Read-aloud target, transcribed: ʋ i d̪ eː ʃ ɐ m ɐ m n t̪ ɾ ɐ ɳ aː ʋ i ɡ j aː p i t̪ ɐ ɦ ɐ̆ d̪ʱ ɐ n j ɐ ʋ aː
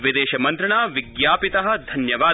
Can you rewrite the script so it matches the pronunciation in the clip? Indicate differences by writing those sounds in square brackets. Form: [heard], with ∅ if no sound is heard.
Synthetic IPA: ʋ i d̪ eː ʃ ɐ m ɐ [∅] n t̪ ɾ ɐ ɳ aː ʋ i ɡ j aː p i t̪ ɐ ɦ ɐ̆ d̪ʱ ɐ n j ɐ ʋ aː